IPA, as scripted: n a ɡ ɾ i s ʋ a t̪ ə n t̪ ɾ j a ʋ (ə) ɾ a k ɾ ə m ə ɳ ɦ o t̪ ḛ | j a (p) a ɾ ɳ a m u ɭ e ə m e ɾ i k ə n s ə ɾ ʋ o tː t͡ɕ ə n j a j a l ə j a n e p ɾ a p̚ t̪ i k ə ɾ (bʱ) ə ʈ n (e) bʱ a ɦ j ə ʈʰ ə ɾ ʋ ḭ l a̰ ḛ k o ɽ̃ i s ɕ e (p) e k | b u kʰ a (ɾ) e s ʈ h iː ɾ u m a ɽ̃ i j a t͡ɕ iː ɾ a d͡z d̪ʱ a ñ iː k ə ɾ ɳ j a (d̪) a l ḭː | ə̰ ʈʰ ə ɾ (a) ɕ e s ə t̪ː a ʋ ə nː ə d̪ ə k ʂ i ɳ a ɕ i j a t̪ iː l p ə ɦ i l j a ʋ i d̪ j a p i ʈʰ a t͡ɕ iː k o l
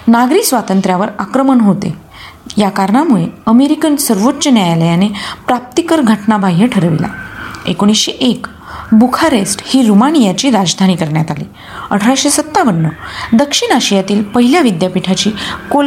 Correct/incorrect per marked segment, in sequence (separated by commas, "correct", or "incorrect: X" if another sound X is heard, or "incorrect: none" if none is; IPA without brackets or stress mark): correct, incorrect: k, incorrect: ɡʱ, incorrect: a, incorrect: ʔ, correct, incorrect: t̪, correct